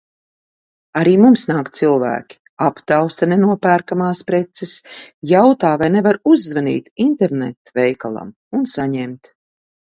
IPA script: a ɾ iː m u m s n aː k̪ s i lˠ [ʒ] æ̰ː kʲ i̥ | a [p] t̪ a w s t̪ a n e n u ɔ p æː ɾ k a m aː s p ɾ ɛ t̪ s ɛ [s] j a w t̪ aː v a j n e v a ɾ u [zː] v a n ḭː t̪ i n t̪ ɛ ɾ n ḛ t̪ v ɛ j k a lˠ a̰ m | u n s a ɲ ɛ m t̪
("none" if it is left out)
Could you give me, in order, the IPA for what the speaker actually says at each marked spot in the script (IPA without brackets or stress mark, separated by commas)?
v, p, s, zː